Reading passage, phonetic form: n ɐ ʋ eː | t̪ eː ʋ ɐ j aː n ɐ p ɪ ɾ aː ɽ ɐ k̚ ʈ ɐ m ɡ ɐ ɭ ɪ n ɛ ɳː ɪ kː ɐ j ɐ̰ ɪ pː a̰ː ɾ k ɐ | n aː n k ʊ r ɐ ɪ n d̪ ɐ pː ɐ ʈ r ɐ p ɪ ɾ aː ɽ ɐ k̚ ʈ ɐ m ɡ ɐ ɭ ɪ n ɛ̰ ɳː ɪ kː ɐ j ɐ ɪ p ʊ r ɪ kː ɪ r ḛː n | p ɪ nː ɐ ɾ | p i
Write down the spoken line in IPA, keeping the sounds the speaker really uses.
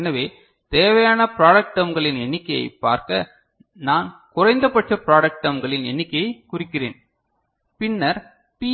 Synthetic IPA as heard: n ɐ ʋ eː | t̪ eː ʋ ɐ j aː n ɐ p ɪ ɾ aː ɽ ɐ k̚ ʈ ɐ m ɡ ɐ ɭ ɪ n ɛ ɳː ɪ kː ɐ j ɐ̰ ɪ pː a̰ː ɾ k ɐ | n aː n k ʊ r ɐ ɪ n d̪ ɐ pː ɐ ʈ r ɐ p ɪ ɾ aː ɽ ɐ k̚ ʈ ɐ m ɡ ɐ ɭ ɪ n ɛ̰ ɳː ɪ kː ɐ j ɐ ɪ k ʊ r ɪ kː ɪ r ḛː n | p ɪ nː ɐ ɾ | p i